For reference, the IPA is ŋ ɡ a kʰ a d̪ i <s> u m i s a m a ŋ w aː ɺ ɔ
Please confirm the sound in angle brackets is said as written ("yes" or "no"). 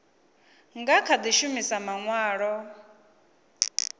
no